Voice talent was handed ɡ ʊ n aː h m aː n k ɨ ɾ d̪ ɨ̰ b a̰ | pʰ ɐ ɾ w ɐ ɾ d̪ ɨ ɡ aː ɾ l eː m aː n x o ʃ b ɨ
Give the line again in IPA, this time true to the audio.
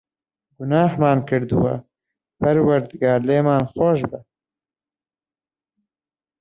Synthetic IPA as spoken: ɡ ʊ n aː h m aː n k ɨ ɾ d̪ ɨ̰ w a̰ | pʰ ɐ ɾ w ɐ ɾ d̪ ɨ ɡ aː ɾ l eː m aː n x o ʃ b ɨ